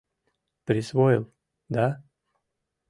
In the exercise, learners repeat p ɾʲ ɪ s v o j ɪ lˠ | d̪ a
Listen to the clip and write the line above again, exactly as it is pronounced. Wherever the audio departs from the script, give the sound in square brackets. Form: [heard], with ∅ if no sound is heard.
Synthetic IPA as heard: p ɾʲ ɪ s v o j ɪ lˠ | d̪ a